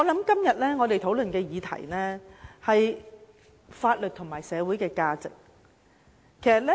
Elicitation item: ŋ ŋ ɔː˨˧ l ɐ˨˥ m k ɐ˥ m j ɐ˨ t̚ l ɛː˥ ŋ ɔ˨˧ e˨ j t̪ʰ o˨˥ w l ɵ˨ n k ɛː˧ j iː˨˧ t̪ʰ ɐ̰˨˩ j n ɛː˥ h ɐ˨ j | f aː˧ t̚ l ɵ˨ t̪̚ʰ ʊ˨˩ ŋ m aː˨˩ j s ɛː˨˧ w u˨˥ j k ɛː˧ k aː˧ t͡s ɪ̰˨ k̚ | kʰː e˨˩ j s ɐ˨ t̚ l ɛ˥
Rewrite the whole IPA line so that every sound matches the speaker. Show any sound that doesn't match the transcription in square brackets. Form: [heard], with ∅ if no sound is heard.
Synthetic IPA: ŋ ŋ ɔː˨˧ l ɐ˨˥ m k ɐ˥ m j ɐ˨ t̚ l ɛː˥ ŋ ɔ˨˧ e˨ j t̪ʰ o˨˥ w l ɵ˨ n k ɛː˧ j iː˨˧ t̪ʰ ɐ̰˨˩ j n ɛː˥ h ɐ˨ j | f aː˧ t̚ l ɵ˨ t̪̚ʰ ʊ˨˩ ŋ m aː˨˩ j s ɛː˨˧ w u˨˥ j k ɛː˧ k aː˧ t͡s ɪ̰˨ k̚ | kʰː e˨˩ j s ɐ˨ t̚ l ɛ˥